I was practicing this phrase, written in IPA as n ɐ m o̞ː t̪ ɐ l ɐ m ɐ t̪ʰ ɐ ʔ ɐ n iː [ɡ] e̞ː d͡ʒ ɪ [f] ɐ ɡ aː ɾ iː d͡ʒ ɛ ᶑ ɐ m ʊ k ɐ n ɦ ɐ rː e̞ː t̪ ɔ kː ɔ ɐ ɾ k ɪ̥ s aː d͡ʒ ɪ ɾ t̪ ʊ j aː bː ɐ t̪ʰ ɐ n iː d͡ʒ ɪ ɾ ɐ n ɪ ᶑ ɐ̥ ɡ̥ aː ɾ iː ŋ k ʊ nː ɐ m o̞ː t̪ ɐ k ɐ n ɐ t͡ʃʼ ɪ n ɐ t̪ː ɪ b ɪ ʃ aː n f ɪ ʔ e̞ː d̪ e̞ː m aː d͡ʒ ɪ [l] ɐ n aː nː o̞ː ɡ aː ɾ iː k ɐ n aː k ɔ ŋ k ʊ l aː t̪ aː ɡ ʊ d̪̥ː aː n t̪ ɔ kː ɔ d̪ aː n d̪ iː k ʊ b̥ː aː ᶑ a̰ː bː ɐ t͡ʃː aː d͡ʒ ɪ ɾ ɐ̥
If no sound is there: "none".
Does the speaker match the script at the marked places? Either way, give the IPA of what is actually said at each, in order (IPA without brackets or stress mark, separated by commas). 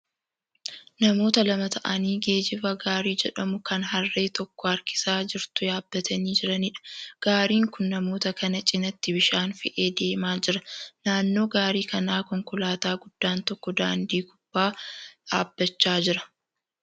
ɡ, f, ɾ